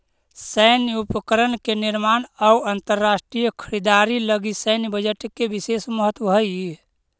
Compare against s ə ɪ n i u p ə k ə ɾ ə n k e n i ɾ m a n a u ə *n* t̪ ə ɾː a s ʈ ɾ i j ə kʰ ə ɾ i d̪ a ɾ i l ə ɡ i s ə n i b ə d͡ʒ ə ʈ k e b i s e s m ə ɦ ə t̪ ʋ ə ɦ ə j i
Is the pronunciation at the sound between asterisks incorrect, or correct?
correct